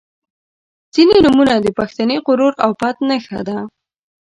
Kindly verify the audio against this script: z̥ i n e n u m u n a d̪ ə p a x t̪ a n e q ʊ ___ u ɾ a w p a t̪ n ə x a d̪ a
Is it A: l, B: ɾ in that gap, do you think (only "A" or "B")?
B